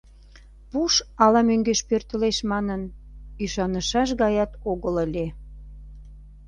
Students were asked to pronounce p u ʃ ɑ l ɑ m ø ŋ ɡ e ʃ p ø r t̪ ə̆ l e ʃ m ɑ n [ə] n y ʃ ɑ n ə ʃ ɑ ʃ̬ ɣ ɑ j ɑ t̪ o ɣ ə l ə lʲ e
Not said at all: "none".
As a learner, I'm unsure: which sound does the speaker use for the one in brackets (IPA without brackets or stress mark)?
ə